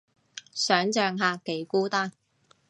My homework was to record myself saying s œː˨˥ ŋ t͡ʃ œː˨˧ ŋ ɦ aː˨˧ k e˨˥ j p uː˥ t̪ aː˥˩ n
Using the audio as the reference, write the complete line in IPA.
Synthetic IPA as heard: s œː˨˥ ŋ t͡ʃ œː˨˧ ŋ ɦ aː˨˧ k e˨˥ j k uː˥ t̪ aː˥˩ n

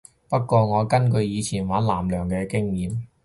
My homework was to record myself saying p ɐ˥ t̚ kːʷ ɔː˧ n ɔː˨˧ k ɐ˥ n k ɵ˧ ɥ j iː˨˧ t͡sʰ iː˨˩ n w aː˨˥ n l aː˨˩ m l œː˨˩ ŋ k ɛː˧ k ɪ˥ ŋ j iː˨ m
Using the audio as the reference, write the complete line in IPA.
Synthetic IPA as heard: p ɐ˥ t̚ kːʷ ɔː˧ ŋ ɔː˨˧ k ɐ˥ n k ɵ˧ ɥ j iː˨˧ t͡sʰ iː˨˩ n w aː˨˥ n l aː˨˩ m l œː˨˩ ŋ k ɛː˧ k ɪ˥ ŋ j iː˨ m

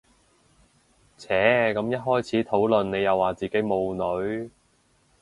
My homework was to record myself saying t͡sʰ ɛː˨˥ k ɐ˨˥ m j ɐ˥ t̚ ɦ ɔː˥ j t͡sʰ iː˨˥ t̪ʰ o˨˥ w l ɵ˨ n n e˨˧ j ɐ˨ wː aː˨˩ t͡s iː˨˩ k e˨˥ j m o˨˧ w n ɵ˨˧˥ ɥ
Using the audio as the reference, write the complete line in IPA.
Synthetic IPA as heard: t͡sʰ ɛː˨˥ k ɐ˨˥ m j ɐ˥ t̚ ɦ ɔː˥ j t͡sʰ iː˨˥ t̪ʰ o˨˥ w l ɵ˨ n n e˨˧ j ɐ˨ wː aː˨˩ t͡s iː˨˩ k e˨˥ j m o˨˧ w n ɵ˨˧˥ ɥ

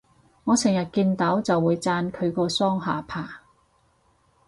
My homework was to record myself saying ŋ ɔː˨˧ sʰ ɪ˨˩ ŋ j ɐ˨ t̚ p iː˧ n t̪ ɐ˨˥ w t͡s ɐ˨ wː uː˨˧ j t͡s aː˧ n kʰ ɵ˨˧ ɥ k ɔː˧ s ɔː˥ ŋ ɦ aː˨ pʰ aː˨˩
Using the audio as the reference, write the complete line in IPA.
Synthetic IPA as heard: ŋ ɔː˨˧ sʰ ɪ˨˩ ŋ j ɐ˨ t̚ k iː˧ n t̪ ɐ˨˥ w t͡s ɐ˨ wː uː˨˧ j t͡s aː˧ n kʰ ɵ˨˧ ɥ k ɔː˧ s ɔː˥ ŋ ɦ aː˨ pʰ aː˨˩

